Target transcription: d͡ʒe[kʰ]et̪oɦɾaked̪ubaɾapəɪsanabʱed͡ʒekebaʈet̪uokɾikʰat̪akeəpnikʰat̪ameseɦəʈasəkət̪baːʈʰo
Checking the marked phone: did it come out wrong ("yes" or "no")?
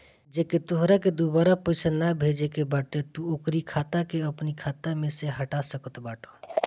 yes